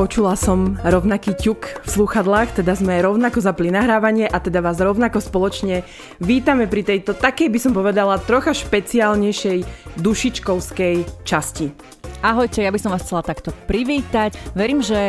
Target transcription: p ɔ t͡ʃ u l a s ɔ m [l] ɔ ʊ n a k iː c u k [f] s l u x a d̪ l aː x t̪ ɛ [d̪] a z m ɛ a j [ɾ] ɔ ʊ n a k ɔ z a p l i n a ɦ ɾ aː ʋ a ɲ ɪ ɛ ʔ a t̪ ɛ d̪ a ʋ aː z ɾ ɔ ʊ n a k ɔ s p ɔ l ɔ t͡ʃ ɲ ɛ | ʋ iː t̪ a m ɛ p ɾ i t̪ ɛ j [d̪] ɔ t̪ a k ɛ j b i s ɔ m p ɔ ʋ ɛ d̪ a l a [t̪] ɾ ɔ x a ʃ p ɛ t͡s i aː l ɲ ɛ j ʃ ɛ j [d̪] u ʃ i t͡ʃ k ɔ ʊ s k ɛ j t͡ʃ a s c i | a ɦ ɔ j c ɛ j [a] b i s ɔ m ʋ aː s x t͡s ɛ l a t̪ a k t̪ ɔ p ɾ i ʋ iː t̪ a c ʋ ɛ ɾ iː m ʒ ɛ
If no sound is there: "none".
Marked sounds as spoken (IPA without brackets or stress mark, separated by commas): ɾ, f, d̪, ɾ, t̪, t̪, d̪, a